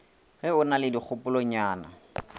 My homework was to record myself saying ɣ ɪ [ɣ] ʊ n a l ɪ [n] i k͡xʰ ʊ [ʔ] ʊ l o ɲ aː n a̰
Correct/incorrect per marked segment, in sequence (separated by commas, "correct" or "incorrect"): incorrect, incorrect, incorrect